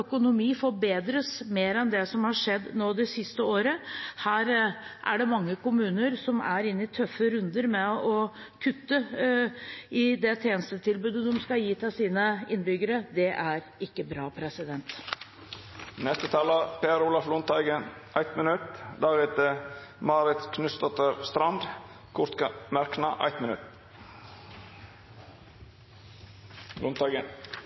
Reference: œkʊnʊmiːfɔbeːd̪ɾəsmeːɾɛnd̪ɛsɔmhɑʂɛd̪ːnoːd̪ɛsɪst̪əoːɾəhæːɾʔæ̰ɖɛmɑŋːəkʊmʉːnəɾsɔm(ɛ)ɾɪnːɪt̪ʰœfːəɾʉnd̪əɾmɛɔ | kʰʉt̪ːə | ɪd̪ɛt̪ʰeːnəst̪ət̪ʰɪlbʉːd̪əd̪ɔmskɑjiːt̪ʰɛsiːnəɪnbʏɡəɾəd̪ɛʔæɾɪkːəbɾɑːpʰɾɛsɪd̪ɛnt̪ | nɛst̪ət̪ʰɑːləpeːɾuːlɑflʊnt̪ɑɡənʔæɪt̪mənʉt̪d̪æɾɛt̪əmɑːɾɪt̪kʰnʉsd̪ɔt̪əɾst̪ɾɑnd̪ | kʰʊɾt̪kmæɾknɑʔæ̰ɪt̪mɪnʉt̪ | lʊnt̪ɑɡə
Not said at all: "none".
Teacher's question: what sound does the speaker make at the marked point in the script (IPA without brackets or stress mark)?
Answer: æ